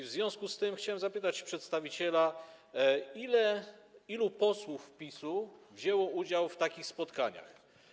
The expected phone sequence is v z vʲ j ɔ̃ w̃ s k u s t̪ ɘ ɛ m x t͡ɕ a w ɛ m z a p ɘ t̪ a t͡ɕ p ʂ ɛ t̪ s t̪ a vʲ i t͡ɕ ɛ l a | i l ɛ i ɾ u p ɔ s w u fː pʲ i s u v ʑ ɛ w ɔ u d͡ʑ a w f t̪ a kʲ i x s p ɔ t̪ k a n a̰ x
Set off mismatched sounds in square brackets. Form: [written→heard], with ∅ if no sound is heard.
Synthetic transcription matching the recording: v z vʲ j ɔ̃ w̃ s k u s t̪ ɘ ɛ m x t͡ɕ a w ɛ m z a p ɘ t̪ a t͡ɕ p ʂ ɛ t̪ s t̪ a vʲ i t͡ɕ ɛ l a | i l ɛ i [ɾ→l] u p ɔ s w u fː pʲ i s u v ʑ ɛ w ɔ u d͡ʑ a w f t̪ a kʲ i x s p ɔ t̪ k a [n→ɲ] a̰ x